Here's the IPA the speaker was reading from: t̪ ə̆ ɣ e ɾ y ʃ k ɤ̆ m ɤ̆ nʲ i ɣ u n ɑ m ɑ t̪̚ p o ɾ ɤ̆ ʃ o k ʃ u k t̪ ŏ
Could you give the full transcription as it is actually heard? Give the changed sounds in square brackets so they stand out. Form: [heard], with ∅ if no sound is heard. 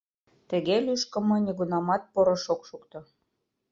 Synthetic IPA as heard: t̪ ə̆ ɣ e [l] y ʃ k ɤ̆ m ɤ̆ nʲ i ɣ u n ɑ m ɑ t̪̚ p o ɾ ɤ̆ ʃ o k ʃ u k t̪ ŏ

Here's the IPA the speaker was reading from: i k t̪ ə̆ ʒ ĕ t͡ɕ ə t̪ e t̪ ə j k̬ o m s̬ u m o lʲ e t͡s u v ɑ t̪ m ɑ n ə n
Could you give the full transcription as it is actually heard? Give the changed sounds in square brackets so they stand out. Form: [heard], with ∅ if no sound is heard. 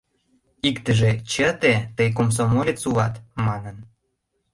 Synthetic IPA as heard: i k t̪ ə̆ ʒ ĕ t͡ɕ ə t̪ e t̪ ə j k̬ o m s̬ [o] m o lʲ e t͡s u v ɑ t̪ m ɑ n ə n

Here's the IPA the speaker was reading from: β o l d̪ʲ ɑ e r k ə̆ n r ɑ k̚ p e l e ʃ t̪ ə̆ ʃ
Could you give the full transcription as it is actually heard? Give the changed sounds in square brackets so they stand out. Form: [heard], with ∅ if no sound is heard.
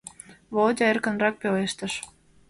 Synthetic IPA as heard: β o l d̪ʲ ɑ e r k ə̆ n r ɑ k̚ p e l e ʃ t̪ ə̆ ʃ

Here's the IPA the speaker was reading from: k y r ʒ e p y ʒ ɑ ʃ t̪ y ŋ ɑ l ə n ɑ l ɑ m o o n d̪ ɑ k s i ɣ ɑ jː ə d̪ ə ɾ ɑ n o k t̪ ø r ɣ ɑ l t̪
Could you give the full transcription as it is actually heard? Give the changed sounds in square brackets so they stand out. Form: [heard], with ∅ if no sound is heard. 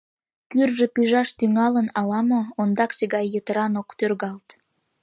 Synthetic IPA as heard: k y r ʒ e p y ʒ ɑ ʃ t̪ y ŋ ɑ l ə n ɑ l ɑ m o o n d̪ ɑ k s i ɣ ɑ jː ə [t̪] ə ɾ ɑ n o k t̪ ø r ɣ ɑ l t̪

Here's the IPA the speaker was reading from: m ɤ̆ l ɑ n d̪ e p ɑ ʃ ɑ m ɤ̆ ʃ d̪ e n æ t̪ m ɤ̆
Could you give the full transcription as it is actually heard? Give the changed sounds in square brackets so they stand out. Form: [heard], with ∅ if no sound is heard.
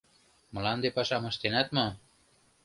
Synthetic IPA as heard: m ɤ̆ l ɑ n d̪ e p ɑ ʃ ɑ m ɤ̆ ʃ [t̪] e n æ t̪ m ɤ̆

